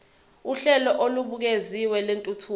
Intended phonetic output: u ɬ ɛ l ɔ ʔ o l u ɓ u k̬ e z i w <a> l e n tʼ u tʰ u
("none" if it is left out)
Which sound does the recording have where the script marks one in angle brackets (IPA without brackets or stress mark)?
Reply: ɛ